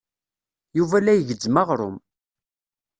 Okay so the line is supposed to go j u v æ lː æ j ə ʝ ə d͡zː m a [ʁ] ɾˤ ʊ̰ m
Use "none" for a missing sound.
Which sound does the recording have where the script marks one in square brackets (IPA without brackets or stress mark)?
ʁ